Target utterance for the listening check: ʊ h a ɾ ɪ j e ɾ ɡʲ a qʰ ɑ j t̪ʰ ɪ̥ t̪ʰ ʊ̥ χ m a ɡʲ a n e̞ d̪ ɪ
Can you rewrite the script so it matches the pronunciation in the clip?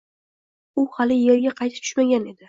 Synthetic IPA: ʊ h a l ɪ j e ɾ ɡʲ a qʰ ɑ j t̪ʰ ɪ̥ t̪ʰ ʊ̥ ʃ m a ɡʲ a n e̞ d̪ ɪ